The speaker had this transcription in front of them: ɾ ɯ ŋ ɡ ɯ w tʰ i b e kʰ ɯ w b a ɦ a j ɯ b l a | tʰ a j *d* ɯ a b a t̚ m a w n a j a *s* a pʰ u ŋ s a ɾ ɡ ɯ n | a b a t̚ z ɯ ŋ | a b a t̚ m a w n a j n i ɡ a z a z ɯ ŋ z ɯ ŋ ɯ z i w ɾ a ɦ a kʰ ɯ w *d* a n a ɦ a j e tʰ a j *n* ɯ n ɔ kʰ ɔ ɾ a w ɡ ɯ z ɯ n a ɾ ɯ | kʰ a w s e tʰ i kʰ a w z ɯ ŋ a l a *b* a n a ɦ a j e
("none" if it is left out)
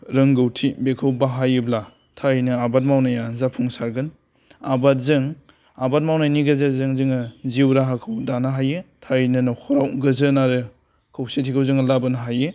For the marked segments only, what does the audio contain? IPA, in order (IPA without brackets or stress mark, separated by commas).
n, z, d, n, b